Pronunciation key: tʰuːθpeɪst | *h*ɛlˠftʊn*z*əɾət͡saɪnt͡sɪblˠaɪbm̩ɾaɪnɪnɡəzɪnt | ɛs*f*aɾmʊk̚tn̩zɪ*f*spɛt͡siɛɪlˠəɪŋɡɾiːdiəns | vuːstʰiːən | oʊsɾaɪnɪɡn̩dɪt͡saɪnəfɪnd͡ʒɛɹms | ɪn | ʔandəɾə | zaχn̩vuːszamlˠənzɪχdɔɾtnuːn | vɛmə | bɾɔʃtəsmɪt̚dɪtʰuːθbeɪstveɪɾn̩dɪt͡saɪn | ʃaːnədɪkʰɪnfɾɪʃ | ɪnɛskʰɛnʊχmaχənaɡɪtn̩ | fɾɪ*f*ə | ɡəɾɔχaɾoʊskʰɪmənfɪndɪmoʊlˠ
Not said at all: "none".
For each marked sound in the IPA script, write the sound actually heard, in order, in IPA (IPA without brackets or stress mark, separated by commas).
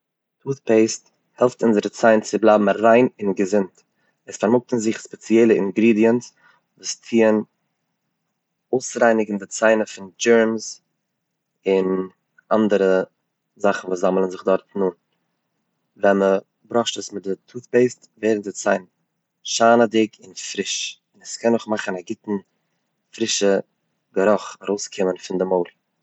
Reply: h, z, f, χ, ʃ